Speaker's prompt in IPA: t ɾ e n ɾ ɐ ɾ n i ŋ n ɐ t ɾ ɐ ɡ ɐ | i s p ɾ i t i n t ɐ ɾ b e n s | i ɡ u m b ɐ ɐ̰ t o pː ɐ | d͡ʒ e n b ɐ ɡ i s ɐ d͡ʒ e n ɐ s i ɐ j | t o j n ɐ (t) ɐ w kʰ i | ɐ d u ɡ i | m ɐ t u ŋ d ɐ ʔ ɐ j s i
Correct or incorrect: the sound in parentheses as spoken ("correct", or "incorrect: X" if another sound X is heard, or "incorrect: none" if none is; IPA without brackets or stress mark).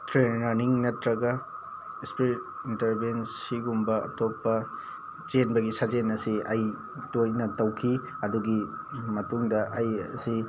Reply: correct